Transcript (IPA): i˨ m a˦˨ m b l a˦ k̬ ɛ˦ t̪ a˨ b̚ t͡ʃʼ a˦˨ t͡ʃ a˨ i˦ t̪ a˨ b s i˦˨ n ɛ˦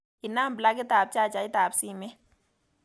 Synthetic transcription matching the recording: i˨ n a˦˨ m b l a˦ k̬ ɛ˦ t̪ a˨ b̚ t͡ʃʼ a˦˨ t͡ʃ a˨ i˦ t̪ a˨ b s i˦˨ m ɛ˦